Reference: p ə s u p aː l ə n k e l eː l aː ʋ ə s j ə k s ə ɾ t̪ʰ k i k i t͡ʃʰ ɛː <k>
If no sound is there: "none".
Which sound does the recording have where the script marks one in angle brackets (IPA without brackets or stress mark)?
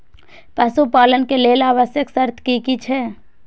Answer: none